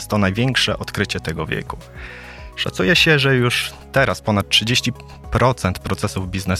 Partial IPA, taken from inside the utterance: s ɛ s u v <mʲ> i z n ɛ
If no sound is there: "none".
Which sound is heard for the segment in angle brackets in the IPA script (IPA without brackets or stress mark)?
bʲ